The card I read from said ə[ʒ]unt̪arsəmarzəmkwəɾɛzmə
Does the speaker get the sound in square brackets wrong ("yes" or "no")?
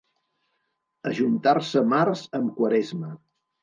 no